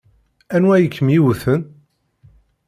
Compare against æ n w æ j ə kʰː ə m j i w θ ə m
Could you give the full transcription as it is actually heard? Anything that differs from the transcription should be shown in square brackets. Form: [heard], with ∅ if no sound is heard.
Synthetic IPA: æ n w æ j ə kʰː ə m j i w θ ə [n]